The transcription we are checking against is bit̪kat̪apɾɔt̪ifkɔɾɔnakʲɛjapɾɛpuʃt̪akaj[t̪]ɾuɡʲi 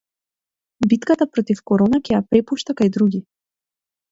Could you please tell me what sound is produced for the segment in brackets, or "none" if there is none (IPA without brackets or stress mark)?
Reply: d̪